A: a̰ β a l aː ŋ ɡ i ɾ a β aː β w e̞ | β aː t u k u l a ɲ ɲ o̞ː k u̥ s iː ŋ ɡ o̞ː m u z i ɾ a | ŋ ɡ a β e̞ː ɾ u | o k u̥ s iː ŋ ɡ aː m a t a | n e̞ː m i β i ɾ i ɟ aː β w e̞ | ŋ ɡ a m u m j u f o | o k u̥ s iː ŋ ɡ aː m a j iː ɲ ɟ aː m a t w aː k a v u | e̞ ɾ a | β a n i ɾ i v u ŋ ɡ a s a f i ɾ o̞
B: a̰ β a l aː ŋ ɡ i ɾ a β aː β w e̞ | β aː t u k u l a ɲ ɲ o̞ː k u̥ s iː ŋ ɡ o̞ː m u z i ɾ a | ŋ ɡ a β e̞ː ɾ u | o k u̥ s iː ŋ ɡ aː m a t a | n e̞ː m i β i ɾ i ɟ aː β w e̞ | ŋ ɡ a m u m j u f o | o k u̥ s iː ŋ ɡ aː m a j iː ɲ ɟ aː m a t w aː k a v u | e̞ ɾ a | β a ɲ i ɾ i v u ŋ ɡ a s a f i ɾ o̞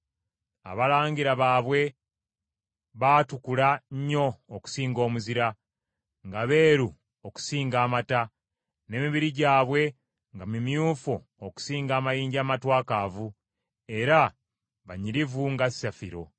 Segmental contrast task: B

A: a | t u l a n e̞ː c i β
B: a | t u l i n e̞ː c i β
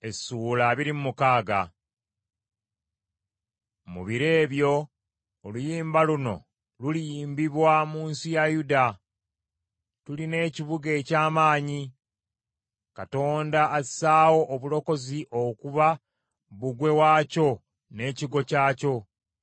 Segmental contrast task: B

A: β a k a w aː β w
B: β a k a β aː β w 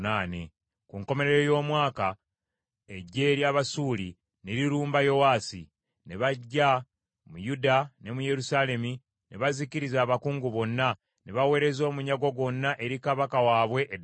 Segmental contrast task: A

